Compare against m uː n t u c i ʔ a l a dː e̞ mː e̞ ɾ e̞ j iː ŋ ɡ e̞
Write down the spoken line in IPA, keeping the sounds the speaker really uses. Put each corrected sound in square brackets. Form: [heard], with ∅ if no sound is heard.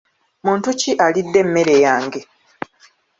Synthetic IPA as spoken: m uː n t u c i ʔ a l [i] dː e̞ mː e̞ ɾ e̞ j [aː] ŋ ɡ e̞

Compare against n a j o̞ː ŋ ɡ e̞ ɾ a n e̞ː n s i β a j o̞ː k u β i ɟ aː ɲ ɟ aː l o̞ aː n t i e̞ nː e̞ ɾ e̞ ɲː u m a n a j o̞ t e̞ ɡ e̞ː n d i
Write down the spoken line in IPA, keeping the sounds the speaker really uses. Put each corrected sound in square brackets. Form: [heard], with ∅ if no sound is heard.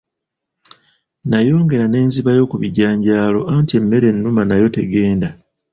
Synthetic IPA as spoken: n a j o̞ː ŋ ɡ e̞ ɾ a n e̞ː n [z] i β a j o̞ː k u β i ɟ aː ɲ ɟ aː l o̞ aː n t i e̞ [mː] e̞ ɾ e̞ [nː] u m a n a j o̞ t e̞ ɡ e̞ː n d [a]

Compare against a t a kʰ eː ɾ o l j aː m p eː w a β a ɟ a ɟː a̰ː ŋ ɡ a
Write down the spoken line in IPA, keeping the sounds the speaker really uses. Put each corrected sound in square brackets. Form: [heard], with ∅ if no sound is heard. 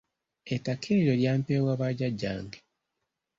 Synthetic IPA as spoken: [e] t a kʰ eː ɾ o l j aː m p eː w a β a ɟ a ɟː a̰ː ŋ ɡ [e]

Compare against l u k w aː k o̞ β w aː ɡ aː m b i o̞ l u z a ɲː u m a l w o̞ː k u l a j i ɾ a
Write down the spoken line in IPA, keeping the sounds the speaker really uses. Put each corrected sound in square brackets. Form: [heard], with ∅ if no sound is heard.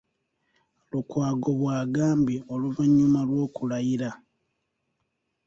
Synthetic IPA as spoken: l u k w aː [ɡ] o̞ β w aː ɡ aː m b i o̞ l u [v] a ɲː u m a l w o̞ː k u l a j i ɾ a

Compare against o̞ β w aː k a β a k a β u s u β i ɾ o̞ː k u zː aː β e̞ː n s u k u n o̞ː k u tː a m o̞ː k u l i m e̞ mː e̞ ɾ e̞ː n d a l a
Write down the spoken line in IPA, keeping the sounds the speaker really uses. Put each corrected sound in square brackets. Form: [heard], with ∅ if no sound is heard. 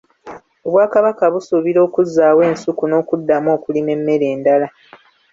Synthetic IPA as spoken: o̞ β w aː k a β a k a β u s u β i ɾ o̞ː k u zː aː [w] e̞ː n s u k u n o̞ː k u [dː] a m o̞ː k u l i m e̞ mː e̞ ɾ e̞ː n d a l a

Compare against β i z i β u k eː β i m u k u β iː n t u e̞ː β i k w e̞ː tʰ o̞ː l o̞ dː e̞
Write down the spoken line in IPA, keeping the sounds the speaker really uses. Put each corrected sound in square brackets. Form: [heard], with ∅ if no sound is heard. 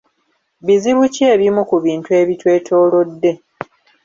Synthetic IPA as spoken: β i z i β u [c] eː β i m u k u β iː n t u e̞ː β i [t] w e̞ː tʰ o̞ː l o̞ dː e̞

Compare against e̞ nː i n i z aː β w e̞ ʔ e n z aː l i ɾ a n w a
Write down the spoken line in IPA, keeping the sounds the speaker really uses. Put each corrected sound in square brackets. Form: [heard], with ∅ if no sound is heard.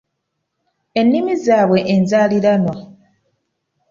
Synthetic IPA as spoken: e̞ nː i [m] i z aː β w e̞ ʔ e n z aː l i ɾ a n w a

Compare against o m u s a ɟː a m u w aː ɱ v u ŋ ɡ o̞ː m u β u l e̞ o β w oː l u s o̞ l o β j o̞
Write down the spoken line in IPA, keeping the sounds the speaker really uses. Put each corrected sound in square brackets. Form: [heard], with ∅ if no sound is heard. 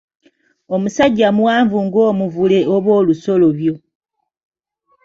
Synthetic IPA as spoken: o m u s a ɟː a m u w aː ɱ v u ŋ ɡ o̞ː m u [v] u l e̞ o β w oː l u s o̞ l o β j o̞

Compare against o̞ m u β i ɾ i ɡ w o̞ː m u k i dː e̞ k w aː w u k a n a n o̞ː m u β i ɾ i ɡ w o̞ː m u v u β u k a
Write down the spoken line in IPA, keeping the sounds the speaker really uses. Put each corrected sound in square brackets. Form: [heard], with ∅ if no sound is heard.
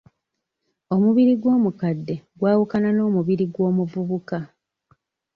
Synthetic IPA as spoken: o̞ m u β i ɾ i ɡ w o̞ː m u k [a] dː e̞ [ɡ] w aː w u k a n a n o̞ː m u β i ɾ i ɡ w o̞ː m u v u β u k a

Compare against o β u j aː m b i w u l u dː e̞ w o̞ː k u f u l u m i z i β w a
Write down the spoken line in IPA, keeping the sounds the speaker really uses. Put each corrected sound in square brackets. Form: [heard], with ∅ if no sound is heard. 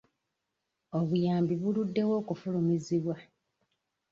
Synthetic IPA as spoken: o β u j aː m b i [β] u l u dː e̞ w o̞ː k u f u l u m i z i β w a

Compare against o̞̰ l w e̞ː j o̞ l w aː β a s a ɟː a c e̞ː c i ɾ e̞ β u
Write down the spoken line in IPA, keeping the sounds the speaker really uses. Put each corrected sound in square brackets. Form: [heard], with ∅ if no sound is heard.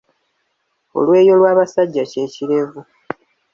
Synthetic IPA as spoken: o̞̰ l w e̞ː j o̞ l w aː β a s a ɟː a c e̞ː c i ɾ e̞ [v] u

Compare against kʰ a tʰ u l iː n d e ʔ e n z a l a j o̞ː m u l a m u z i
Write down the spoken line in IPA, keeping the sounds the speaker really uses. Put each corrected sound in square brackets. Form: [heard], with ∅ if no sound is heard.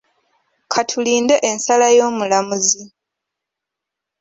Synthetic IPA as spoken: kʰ a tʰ u l iː n d e ʔ e n [s] a l a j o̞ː m u l a m u z i

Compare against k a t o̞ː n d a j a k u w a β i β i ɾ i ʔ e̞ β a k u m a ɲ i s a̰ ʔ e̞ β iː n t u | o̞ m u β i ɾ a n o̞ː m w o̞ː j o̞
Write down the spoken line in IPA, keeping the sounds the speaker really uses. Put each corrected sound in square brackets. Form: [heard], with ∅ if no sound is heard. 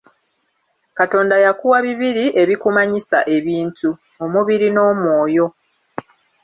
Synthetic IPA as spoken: k a t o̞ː n d a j a k u w a β i β i ɾ i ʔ e̞ β [i] k u m a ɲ i s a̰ ʔ e̞ β iː n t u | o̞ m u β i ɾ [i] n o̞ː m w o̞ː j o̞

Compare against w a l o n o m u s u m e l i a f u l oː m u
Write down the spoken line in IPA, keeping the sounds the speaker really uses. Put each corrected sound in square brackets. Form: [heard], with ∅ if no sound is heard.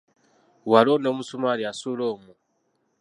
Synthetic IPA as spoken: w a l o n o m u s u m [a] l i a [s] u l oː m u

